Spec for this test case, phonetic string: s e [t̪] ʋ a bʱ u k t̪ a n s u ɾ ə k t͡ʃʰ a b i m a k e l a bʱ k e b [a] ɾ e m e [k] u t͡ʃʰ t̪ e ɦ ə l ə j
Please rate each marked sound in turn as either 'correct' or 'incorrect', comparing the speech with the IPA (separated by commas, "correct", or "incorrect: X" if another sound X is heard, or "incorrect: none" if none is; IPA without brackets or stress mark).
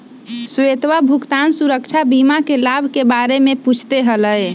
correct, correct, incorrect: p